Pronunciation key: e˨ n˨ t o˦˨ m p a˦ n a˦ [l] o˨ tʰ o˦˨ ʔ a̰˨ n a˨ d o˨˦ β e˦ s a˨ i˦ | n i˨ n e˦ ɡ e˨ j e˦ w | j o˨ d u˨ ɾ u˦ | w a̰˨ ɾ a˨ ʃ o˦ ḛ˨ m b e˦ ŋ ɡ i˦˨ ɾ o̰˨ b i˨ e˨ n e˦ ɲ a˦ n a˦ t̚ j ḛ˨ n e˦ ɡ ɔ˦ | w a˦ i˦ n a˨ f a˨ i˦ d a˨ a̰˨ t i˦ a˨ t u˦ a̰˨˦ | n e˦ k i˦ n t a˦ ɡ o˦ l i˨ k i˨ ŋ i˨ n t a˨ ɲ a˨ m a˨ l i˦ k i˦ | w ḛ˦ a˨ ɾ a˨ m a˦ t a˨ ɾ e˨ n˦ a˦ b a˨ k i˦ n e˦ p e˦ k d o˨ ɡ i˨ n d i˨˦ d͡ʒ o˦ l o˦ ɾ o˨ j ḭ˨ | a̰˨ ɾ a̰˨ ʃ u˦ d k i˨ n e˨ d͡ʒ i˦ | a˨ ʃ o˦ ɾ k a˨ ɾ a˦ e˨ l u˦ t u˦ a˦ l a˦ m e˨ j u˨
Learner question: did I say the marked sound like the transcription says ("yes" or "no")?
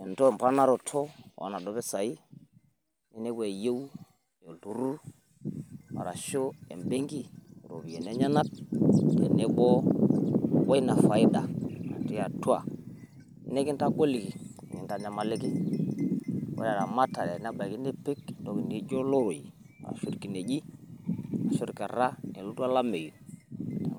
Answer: no